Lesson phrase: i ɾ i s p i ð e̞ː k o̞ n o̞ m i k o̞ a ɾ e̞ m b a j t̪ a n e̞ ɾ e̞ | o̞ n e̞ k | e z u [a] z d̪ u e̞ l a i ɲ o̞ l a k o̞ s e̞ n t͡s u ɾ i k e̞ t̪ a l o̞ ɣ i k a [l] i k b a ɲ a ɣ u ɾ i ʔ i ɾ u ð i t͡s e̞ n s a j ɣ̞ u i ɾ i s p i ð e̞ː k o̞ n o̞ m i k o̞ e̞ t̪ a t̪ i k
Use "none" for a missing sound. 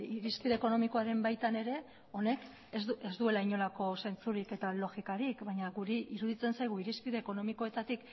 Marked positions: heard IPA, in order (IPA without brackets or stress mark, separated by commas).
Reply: e, ɾ